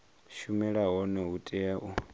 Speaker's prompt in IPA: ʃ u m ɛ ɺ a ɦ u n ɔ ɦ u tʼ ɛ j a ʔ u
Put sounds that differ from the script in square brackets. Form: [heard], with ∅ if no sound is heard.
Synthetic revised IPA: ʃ u m ɛ ɺ a ɦ [ɔ] n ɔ ɦ u tʼ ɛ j a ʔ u